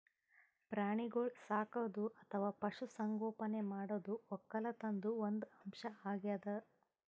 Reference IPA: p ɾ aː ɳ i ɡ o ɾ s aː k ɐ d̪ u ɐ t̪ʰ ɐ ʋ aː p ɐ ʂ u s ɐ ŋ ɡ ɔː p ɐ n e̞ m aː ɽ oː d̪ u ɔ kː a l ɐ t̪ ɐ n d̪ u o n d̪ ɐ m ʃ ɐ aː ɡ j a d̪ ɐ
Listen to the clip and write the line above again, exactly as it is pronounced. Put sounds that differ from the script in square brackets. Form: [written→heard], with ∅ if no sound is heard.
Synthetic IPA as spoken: p ɾ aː ɳ i ɡ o [ɾ→ɭ] s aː k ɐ d̪ u ɐ t̪ʰ ɐ ʋ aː p ɐ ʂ u s ɐ ŋ ɡ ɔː p ɐ n e̞ m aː ɽ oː d̪ u ɔ kː [a→ɐ] l ɐ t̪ ɐ n d̪ u o n d̪ ɐ m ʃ ɐ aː ɡ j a d̪ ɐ